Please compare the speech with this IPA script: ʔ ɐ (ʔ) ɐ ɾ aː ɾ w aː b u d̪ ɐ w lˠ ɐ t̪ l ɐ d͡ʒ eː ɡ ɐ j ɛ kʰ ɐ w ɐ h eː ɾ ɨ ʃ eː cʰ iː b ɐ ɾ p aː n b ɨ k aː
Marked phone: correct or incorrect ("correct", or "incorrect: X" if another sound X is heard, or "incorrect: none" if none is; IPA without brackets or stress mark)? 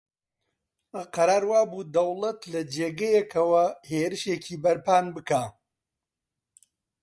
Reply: incorrect: q